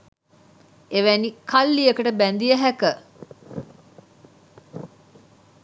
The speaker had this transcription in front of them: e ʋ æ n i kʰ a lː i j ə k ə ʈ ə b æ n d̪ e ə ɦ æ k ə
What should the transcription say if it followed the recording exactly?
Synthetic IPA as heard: e ʋ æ n i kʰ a lː i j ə k ə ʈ ə b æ n d̪ i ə ɦ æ k ə

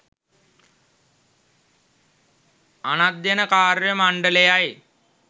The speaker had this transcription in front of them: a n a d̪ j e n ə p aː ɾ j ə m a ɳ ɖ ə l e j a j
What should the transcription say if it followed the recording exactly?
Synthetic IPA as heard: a n a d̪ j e n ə k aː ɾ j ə m a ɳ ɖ ə l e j a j

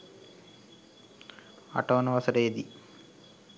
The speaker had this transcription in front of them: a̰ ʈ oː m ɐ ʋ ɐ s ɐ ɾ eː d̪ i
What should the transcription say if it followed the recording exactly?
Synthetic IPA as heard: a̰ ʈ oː n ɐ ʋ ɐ s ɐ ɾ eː d̪ i

